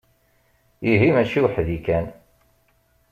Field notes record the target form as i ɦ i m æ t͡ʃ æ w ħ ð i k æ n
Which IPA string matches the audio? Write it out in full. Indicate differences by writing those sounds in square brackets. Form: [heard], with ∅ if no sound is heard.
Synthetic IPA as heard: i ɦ i m æ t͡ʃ [i] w ħ ð i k æ n